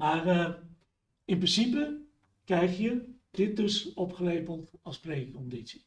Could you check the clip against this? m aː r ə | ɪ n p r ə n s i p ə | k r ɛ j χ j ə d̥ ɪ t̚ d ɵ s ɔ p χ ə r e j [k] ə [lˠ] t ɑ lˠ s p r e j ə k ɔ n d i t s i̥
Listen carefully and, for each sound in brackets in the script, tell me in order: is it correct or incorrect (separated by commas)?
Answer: incorrect, correct